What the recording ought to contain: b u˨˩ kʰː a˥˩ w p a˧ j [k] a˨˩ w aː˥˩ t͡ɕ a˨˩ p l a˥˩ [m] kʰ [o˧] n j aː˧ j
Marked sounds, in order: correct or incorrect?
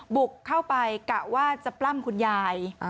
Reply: correct, correct, incorrect: u˧

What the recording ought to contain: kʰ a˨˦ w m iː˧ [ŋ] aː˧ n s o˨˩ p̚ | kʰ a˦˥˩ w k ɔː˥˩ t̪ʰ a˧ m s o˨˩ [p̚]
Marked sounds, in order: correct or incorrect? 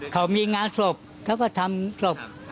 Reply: correct, correct

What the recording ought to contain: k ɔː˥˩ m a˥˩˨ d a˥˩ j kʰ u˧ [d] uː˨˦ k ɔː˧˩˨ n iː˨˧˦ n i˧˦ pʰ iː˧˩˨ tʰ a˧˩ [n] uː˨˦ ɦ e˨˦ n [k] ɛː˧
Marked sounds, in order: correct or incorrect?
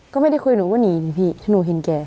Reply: incorrect: n, correct, correct

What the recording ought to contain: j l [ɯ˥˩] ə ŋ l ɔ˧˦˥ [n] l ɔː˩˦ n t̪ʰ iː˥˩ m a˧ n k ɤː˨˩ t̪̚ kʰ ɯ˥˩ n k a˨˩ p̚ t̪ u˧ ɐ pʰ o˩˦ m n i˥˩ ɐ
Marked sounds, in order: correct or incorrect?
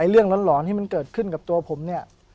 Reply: correct, correct

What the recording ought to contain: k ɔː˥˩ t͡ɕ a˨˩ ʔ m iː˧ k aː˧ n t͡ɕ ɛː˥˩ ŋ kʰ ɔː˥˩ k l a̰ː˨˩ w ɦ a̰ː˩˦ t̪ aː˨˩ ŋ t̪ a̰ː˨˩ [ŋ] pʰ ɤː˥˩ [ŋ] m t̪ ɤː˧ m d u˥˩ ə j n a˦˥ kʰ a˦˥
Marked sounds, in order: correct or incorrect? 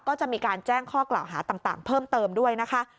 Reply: correct, incorrect: none

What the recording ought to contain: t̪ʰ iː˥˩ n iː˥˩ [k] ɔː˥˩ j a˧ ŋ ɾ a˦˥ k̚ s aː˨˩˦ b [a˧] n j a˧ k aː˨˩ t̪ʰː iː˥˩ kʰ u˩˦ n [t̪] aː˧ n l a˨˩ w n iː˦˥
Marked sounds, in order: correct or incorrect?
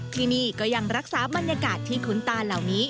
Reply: correct, correct, correct

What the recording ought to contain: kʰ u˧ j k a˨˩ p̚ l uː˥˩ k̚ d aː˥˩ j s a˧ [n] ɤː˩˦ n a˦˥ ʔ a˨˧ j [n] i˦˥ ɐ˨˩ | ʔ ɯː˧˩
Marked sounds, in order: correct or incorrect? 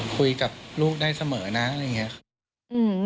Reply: incorrect: m, incorrect: ŋ

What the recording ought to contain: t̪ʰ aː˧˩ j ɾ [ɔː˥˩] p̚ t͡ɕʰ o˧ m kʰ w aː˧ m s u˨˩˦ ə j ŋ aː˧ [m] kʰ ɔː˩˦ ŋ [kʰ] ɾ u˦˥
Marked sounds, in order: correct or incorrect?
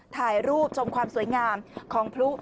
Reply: incorrect: uː˥˩, correct, incorrect: pʰ

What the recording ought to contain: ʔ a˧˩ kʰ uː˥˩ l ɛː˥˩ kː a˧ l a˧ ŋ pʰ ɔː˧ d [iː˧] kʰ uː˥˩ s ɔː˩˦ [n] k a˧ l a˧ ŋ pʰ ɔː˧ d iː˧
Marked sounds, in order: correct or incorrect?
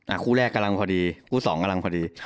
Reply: correct, incorrect: ŋ

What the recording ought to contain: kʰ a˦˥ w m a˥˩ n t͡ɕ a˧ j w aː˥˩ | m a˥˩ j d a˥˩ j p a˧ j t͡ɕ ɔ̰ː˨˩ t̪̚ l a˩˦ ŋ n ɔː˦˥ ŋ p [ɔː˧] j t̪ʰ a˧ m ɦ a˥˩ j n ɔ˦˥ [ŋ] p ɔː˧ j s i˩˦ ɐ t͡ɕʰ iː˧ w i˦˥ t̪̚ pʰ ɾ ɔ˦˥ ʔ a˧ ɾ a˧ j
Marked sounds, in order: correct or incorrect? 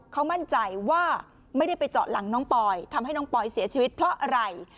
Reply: correct, correct

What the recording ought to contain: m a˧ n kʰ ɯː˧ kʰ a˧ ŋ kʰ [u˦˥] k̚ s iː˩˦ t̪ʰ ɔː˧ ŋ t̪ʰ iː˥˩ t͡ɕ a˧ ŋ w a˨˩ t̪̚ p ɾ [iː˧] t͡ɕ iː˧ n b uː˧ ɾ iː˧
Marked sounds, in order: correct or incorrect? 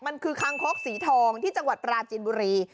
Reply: incorrect: o˦˥, incorrect: aː˧

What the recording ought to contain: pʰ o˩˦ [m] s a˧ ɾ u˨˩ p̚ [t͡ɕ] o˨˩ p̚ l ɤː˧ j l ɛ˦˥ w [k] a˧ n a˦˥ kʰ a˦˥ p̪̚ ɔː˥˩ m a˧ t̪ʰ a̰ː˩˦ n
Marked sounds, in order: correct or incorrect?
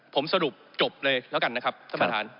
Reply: correct, correct, correct

